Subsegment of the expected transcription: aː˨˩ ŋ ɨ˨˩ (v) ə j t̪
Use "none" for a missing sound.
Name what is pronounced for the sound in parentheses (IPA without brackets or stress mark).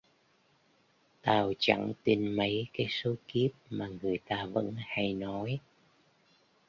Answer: none